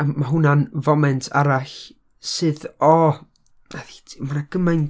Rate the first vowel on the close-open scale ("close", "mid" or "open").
open